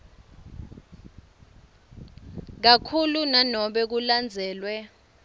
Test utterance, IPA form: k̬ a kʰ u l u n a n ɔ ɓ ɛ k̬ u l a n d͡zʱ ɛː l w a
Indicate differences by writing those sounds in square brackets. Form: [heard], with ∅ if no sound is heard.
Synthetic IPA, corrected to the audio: k̬ a kʰ u l u n a n ɔ ɓ ɛ k̬ u l a n d͡zʱ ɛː l w [ɛ]